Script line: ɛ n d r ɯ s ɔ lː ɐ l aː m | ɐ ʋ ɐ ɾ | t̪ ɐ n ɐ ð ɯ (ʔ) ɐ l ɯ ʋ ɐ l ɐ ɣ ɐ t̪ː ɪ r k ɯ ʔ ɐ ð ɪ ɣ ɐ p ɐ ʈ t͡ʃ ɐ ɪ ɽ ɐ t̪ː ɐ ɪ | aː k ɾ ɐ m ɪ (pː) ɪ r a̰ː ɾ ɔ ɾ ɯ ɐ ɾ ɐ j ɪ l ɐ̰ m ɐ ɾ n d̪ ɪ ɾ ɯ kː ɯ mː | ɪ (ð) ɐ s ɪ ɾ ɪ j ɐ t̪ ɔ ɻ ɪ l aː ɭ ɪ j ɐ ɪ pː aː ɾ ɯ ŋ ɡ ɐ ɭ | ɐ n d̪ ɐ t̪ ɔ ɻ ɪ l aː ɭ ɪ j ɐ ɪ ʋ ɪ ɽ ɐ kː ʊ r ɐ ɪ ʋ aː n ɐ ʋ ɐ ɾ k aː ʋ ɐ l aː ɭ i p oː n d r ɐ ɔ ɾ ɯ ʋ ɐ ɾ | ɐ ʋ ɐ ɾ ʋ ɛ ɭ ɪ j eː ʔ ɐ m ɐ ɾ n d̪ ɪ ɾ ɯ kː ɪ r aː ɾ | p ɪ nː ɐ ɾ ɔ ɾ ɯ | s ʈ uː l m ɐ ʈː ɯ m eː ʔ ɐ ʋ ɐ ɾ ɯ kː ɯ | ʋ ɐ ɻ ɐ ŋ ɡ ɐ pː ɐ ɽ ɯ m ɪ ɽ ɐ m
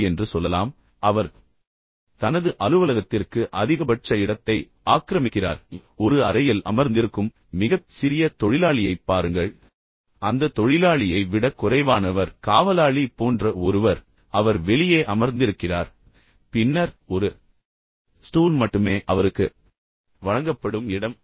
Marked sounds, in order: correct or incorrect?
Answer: correct, incorrect, incorrect

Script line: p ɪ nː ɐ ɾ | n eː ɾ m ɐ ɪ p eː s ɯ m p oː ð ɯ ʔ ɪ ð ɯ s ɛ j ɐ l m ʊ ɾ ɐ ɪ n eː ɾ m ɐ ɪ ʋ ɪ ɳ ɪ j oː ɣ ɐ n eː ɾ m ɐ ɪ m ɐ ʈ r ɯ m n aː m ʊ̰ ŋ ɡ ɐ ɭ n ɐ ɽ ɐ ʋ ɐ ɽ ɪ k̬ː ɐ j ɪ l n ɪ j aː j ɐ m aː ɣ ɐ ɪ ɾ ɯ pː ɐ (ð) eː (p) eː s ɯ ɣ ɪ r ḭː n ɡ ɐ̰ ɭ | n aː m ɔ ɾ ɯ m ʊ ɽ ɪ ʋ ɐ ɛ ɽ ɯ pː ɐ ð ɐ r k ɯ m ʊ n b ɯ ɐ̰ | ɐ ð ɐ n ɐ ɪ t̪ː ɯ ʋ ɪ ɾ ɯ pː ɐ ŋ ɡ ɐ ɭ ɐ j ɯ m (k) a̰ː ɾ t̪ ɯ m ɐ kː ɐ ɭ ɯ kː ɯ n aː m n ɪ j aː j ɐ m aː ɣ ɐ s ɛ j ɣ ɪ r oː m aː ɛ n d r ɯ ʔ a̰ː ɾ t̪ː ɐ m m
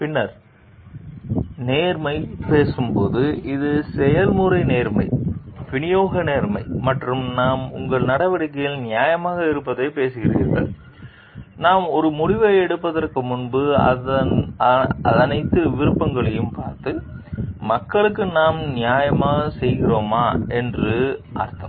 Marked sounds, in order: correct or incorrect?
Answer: correct, correct, incorrect

